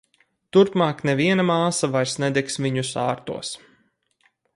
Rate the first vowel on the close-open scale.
close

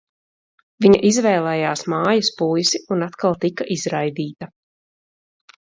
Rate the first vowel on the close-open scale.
close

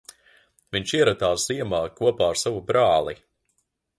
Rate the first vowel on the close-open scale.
close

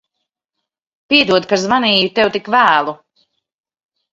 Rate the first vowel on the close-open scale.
close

